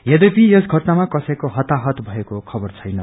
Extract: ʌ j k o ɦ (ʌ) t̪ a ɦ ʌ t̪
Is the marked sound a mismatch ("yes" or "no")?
no